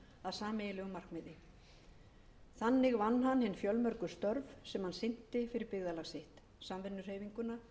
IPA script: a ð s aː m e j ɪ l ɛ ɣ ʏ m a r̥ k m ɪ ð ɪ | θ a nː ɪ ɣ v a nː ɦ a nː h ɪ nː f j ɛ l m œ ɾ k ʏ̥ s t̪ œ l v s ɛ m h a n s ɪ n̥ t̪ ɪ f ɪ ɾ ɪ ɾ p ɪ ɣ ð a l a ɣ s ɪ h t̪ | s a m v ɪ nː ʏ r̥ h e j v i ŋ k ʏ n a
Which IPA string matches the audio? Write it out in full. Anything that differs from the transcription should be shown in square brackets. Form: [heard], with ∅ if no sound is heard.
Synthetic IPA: a ð s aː m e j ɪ l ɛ ɣ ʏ m a r̥ k m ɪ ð ɪ | θ a nː ɪ ɣ v a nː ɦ a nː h ɪ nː f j [œ] l m œ ɾ k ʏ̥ s t̪ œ [ɾ] v s ɛ m h a n s ɪ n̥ t̪ ɪ f ɪ ɾ ɪ ɾ p ɪ ɣ ð a l a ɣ s ɪ h t̪ | s a m v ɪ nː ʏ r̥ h e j v i ŋ k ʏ n a